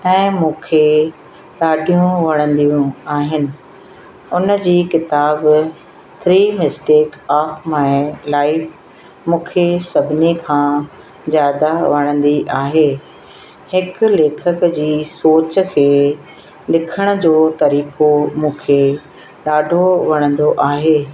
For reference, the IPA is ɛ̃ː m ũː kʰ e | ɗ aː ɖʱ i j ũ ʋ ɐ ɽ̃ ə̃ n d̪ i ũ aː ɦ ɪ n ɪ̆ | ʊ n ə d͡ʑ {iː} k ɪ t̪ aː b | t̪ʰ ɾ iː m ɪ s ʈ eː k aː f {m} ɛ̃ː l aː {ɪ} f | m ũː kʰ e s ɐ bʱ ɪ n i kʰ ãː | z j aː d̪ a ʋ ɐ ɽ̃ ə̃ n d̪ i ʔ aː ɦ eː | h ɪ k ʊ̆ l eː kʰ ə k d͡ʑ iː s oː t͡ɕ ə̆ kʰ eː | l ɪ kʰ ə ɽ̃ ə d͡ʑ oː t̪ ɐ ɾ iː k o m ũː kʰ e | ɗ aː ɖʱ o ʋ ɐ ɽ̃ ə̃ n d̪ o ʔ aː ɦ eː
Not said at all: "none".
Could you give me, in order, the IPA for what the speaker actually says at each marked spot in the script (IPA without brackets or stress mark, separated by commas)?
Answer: iː, m, ɪ